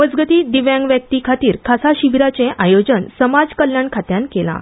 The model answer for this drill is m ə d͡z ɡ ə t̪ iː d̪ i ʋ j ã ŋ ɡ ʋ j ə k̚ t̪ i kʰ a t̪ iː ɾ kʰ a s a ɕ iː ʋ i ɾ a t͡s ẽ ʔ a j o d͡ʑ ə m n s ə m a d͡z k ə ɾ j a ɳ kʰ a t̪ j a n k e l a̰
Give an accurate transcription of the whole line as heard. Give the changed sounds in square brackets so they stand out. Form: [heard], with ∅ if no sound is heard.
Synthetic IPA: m ə d͡z ɡ ə t̪ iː d̪ i ʋ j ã ŋ ɡ ʋ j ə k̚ t̪ i kʰ a t̪ iː ɾ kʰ a s a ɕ [i] ʋ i ɾ a t͡s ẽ ʔ a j o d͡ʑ ə [∅] n s ə m a d͡z k ə [l] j a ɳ kʰ a t̪ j a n k e l a̰